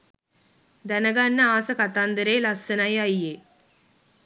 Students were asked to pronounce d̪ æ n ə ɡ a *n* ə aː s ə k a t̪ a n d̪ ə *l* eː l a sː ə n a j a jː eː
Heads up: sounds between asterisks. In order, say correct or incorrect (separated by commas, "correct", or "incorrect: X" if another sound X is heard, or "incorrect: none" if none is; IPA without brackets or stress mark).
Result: incorrect: nː, incorrect: ɾ